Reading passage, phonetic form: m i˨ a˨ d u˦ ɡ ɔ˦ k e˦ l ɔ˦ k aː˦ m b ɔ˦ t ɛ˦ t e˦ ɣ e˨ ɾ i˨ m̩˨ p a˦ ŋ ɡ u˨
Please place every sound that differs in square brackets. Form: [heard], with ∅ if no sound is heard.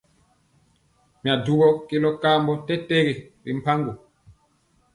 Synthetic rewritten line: m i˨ a˨ d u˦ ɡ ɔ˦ k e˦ l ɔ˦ k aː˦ m b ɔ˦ t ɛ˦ t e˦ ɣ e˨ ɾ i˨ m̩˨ p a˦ ŋ ɡ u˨